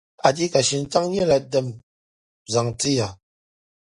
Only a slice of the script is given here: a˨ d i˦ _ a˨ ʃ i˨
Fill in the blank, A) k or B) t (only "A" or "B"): A